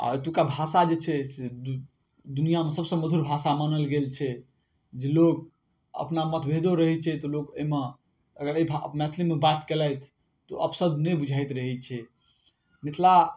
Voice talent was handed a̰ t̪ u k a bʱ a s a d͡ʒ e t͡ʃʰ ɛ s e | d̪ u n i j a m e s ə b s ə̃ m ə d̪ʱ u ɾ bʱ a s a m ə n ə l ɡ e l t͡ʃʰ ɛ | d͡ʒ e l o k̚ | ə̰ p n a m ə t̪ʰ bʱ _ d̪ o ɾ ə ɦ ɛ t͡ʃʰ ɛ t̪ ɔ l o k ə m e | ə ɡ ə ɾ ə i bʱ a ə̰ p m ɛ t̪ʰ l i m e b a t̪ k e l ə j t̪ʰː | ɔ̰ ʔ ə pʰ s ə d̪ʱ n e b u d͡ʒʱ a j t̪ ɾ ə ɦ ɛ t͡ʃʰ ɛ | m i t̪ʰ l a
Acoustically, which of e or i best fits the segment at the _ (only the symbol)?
e